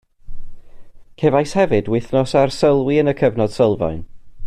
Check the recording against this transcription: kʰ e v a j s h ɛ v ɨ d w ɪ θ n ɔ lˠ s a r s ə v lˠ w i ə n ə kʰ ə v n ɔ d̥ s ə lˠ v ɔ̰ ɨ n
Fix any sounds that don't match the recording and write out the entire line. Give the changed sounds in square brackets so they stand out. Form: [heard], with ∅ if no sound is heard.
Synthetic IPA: kʰ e v a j s h ɛ v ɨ d w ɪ θ n ɔ [∅] s a r s ə [∅] lˠ w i ə n ə kʰ ə v n ɔ d̥ s ə lˠ v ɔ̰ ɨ n